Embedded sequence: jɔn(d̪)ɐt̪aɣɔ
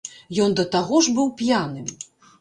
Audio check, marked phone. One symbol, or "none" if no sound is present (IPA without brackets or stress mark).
d̪